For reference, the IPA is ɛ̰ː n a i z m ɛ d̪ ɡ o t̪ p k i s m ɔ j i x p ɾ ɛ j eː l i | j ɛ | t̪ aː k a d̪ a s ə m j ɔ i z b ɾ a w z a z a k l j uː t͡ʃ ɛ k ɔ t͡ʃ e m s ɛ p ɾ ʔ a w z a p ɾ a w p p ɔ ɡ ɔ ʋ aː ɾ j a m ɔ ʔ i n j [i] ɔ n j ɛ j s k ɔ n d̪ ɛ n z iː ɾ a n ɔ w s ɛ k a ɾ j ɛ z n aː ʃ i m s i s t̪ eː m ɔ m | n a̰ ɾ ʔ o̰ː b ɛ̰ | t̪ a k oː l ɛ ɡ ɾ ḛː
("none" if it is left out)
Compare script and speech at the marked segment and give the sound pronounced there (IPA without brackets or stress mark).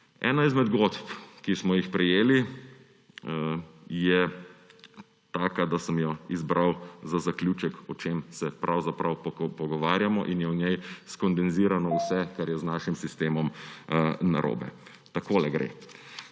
ɛ